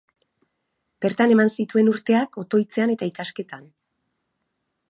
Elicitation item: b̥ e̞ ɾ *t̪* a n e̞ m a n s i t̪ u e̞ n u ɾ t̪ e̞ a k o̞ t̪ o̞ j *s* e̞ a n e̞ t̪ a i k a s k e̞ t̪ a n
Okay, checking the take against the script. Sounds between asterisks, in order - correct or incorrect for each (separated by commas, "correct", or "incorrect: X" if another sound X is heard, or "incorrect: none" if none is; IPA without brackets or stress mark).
correct, incorrect: t͡s